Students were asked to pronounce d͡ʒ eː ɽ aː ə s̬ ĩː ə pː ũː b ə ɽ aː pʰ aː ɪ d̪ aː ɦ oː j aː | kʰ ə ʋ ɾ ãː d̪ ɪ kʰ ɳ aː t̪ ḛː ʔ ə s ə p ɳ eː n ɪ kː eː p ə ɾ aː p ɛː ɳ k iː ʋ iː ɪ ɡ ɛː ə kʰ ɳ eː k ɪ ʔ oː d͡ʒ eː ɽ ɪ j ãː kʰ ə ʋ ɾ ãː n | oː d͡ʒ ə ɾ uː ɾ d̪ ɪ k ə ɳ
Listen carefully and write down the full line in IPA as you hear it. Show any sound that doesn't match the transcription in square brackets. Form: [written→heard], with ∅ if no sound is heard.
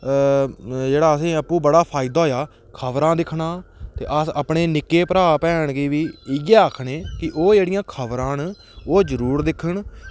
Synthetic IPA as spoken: d͡ʒ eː ɽ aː ə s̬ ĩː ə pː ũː b ə ɽ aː pʰ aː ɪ d̪ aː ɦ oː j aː | kʰ ə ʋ ɾ ãː d̪ ɪ kʰ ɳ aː t̪ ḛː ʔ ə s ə p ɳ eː n ɪ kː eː p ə ɾ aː p ɛː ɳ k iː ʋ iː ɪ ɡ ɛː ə kʰ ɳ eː k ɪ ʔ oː d͡ʒ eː ɽ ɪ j ãː kʰ ə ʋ ɾ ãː n | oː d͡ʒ ə ɾ uː ɾ d̪ ɪ [k→kʰ] ə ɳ

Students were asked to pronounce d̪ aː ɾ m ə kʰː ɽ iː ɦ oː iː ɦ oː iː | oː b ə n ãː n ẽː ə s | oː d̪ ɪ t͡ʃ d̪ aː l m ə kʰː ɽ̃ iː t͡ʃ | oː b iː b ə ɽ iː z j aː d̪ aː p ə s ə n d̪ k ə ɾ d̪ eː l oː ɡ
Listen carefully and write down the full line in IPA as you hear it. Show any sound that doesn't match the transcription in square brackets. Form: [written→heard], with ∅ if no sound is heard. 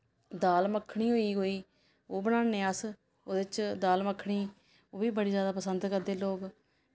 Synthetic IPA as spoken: d̪ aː [ɾ→l] m ə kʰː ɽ iː ɦ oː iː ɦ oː iː | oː b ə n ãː n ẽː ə s | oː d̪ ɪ t͡ʃ d̪ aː l m ə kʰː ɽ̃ iː [t͡ʃ→∅] | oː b iː b ə ɽ iː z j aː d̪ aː p ə s ə n d̪ k ə ɾ d̪ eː l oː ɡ

